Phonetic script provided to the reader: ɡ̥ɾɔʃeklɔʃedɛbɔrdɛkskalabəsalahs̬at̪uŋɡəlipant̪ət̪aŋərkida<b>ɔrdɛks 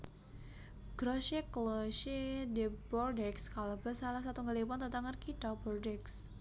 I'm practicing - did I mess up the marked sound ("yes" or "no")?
no